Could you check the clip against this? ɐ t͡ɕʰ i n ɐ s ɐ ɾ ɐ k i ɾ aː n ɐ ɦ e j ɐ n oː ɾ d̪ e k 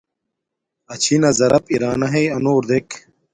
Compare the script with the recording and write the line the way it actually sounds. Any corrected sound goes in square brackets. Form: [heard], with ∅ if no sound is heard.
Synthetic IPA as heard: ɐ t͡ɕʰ i n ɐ [z] ɐ ɾ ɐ [p] i ɾ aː n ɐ ɦ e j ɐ n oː ɾ d̪ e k

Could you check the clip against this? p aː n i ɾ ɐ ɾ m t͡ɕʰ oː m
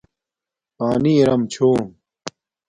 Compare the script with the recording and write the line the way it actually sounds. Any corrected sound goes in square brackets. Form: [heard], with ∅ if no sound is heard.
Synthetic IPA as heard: p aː n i ɾ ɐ [∅] m t͡ɕʰ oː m

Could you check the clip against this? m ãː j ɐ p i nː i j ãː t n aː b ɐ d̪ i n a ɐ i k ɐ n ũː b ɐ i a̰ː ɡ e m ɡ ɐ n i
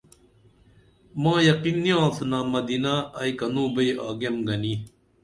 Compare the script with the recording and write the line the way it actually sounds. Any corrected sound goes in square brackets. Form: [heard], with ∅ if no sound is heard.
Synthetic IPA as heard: m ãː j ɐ [q] i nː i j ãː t n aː [m] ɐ d̪ i n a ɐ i k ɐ n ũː b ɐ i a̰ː ɡ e m ɡ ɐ n i

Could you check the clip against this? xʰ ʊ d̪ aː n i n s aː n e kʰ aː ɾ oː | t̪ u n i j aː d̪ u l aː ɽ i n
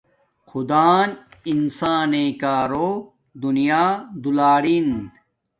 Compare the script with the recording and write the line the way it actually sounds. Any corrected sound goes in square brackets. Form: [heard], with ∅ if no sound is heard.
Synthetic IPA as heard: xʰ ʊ d̪ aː n i n s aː n e [k] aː ɾ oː | [d̪] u n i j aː d̪ u l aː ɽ i n

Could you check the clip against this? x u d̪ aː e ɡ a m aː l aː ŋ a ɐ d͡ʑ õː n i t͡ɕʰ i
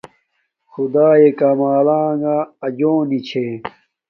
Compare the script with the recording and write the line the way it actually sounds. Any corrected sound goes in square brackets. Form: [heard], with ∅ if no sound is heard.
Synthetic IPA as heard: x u d̪ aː e [k] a m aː l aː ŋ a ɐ d͡ʑ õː n i t͡ɕʰ [e]

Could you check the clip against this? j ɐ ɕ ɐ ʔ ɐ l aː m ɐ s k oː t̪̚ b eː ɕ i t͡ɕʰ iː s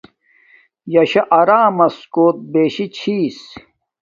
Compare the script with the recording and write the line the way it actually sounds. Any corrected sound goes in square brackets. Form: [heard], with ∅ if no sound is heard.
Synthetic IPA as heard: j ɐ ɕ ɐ ʔ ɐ [ɾ] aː m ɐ s k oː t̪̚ b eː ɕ i t͡ɕʰ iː s

